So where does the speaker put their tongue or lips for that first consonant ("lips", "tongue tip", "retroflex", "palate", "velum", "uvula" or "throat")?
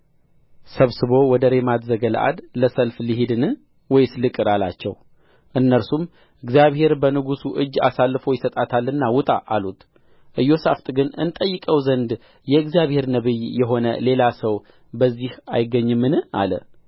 tongue tip